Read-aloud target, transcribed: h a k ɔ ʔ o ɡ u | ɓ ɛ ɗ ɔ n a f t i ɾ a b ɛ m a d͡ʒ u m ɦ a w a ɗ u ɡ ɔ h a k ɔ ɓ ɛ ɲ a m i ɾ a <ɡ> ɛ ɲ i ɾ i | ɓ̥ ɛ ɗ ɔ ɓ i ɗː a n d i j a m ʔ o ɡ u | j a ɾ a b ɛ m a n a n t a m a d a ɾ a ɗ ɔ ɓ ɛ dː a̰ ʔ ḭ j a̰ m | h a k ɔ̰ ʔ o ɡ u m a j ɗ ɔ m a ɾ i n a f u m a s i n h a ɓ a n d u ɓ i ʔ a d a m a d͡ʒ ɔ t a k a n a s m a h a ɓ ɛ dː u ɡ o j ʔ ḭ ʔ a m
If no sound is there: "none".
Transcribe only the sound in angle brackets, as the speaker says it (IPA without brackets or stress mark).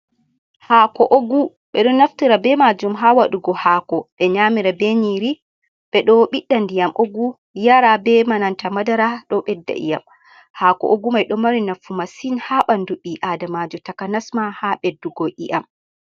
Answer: b